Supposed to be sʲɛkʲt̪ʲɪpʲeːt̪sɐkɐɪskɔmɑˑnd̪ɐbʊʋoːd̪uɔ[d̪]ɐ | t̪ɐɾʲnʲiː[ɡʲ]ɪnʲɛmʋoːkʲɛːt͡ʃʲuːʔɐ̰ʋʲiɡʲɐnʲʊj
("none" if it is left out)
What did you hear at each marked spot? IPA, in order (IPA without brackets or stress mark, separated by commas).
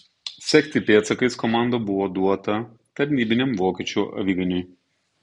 t̪, bʲ